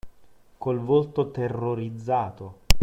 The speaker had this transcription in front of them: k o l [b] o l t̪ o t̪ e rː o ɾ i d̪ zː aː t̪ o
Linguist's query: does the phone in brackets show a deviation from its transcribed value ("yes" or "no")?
yes